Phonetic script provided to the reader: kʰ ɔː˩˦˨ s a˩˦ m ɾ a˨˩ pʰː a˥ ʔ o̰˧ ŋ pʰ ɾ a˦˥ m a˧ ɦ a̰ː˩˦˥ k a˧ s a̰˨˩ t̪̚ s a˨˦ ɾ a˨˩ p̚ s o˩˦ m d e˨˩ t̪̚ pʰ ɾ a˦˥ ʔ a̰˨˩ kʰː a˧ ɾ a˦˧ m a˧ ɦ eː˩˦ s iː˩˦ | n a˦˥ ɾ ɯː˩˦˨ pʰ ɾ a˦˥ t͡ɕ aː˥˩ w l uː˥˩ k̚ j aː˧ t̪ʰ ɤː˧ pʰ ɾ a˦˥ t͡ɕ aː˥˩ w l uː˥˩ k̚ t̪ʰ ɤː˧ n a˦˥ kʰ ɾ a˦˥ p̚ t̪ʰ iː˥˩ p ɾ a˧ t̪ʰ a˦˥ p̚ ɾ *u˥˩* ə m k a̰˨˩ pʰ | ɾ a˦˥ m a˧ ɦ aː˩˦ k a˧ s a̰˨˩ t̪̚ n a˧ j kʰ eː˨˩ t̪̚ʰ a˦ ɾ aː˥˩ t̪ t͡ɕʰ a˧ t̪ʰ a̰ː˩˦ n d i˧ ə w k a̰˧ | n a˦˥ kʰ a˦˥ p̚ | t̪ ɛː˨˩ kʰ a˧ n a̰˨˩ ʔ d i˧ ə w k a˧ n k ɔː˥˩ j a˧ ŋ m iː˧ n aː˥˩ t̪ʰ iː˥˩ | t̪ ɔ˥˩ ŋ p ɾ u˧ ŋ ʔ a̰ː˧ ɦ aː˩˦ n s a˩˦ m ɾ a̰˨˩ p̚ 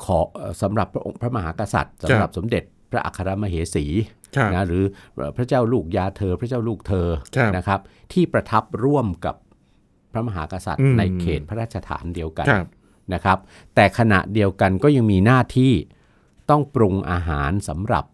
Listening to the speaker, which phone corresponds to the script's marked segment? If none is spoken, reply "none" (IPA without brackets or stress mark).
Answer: u˥˩